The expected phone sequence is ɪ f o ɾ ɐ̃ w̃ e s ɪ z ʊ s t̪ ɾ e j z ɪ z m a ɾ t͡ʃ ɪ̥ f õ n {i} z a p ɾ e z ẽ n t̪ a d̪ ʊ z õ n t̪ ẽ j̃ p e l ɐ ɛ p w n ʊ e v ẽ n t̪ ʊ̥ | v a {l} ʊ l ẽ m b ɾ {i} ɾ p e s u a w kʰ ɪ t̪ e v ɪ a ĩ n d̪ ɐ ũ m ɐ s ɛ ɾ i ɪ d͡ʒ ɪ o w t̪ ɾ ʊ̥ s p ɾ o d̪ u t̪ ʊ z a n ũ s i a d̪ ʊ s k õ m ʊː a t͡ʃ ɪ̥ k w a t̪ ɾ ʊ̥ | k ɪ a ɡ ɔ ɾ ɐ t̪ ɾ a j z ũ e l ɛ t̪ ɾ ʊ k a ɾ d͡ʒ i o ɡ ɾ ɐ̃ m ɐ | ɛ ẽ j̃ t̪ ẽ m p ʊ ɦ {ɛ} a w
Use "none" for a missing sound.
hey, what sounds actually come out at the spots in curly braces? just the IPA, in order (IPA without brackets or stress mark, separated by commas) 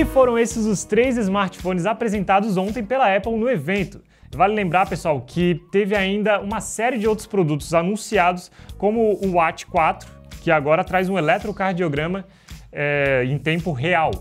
ɪ, l, a, e